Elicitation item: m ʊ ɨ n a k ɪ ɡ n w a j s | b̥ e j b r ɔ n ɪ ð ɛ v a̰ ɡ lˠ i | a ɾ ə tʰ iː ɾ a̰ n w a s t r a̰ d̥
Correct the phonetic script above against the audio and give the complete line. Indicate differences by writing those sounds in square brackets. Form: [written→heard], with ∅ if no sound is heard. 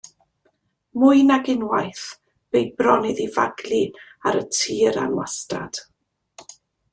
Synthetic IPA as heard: m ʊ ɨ n a [k→ɡ] ɪ [ɡ→∅] n w a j [s→θ] | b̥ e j b r ɔ n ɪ ð [ɛ→i] v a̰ ɡ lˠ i | a ɾ ə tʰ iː ɾ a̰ n w a s t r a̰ d̥